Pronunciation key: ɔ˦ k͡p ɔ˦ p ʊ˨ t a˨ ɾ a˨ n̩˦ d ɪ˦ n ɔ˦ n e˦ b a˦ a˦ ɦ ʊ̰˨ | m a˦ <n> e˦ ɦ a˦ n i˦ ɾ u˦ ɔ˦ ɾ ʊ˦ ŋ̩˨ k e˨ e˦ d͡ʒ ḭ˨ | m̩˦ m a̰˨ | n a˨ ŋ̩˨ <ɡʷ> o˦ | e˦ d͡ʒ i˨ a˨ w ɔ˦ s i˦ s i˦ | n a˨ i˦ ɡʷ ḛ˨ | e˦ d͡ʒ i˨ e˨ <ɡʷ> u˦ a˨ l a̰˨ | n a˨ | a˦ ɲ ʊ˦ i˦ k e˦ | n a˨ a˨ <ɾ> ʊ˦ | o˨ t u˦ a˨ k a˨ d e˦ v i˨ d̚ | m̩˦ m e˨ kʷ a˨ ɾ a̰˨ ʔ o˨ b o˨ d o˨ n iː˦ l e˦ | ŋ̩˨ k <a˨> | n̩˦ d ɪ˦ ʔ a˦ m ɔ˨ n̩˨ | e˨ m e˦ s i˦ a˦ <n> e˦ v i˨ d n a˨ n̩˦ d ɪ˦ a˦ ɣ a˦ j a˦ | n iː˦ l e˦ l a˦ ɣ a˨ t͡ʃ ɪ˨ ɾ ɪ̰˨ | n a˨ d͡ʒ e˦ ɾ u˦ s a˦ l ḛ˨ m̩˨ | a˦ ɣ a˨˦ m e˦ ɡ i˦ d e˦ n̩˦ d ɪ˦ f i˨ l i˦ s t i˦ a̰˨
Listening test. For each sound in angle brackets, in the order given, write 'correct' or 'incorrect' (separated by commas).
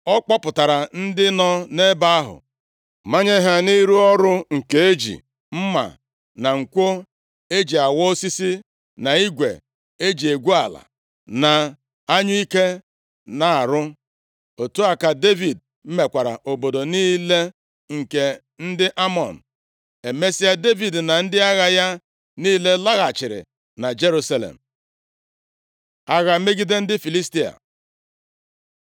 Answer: incorrect, incorrect, correct, correct, incorrect, incorrect